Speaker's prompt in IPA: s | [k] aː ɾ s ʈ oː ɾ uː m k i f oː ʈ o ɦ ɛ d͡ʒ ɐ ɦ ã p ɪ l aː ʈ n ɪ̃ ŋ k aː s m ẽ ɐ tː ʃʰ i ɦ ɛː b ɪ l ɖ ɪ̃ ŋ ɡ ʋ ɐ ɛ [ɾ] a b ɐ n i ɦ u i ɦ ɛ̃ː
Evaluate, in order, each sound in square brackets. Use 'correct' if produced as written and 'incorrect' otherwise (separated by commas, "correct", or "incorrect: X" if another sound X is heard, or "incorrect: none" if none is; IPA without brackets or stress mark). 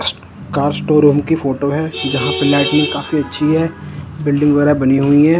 correct, correct